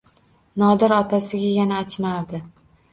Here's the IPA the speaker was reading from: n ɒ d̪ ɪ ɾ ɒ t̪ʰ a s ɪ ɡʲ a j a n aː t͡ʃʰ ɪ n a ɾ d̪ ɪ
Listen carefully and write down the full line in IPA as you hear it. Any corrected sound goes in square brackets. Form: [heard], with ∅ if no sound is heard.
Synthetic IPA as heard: n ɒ d̪ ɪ ɾ ɒ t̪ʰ a s ɪ ɡʲ a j a n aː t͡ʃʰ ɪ n a ɾ d̪ ɪ